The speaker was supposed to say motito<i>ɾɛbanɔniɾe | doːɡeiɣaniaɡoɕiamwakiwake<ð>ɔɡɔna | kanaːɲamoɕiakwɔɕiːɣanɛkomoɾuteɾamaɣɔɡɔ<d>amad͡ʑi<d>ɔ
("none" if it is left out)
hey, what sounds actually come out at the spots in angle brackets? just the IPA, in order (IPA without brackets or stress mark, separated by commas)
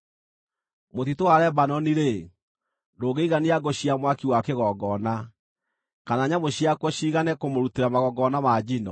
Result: a, ɣ, n, n